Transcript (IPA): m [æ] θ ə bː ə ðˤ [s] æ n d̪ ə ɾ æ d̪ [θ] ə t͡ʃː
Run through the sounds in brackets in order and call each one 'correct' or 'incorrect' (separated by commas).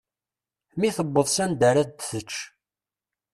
incorrect, correct, correct